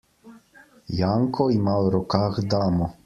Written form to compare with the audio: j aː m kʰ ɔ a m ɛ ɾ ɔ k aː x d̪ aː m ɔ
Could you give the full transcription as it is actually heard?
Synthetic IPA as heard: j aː ŋ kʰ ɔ i m a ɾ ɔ k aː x d̪ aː m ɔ